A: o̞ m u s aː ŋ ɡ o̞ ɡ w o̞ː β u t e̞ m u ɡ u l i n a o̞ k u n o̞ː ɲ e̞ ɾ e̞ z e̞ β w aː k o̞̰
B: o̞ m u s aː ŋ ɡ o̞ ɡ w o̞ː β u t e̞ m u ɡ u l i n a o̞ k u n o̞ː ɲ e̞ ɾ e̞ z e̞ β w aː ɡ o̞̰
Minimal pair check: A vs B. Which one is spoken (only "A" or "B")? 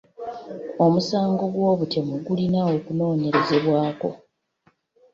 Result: A